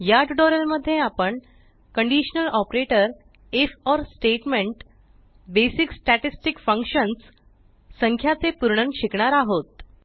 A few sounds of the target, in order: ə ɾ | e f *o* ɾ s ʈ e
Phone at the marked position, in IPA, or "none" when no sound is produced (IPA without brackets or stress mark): ɔ